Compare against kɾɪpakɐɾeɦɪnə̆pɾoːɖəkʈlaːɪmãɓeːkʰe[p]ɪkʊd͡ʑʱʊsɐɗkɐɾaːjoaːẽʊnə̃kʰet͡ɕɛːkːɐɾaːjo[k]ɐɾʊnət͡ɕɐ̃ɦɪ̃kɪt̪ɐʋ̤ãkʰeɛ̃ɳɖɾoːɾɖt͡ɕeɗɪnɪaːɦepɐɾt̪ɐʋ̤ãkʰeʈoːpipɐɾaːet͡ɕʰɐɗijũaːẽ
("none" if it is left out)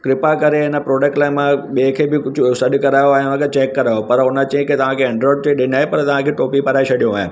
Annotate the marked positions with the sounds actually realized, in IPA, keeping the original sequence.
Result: b, p

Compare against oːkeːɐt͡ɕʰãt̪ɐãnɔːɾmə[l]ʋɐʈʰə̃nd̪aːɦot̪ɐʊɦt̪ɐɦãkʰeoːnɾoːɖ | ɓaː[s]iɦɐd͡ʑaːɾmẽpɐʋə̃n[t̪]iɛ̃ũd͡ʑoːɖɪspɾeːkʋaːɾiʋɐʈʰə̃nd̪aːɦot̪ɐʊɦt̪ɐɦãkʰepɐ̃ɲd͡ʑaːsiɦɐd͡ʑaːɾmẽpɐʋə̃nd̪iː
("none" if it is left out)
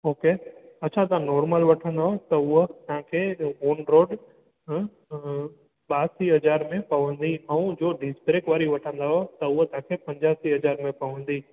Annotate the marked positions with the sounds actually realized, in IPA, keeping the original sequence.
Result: l, s, d̪

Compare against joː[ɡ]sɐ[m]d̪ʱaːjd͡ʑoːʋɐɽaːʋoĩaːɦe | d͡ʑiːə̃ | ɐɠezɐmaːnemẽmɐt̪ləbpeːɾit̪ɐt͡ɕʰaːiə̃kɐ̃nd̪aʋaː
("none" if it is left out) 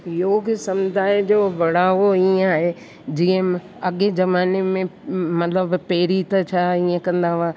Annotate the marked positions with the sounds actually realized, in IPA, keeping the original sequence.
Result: ɡ, m

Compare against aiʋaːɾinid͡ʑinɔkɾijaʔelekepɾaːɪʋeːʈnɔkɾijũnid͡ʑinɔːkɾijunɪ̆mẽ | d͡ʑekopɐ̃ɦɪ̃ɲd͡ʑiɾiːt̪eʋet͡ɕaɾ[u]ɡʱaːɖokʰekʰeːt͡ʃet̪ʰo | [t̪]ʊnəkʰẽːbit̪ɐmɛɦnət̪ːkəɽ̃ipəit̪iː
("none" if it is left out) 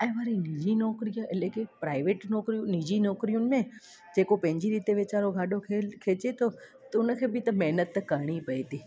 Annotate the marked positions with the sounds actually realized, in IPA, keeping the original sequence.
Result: o, t̪

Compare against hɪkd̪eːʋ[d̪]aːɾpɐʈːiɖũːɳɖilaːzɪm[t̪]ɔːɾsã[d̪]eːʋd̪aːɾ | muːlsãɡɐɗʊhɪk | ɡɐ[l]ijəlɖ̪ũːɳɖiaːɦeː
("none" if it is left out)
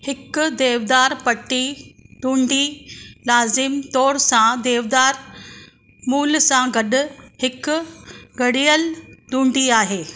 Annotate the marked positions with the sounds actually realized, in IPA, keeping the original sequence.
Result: d̪, t̪, d̪, ɽ

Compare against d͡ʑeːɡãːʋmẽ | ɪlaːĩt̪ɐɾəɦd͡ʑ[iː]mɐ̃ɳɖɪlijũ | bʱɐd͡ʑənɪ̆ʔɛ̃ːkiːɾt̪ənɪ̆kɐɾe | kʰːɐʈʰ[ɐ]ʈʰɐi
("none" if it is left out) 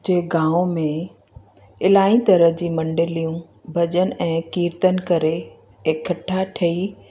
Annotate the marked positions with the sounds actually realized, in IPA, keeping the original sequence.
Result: iː, a

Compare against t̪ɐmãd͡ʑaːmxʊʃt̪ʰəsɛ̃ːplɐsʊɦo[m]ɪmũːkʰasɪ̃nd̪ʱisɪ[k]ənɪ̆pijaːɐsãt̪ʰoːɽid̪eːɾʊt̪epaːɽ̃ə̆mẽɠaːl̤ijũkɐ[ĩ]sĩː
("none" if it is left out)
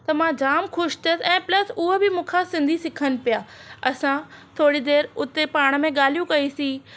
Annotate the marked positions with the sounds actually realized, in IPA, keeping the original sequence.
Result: b, kʰ, i

